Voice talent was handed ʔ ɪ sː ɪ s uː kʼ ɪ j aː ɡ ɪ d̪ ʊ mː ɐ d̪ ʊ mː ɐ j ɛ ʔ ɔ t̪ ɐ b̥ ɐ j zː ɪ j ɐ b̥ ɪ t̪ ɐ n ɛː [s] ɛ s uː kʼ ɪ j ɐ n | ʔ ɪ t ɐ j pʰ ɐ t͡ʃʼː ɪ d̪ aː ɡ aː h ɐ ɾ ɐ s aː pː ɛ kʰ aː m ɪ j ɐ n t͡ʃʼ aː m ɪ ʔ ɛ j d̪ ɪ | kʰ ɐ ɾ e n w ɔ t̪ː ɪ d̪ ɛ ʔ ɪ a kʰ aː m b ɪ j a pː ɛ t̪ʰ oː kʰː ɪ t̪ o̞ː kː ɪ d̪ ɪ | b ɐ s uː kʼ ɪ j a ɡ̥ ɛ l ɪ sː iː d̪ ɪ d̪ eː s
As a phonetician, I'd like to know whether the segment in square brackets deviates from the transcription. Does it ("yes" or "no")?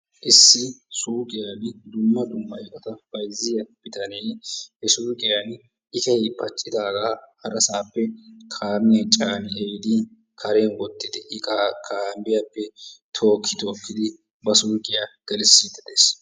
yes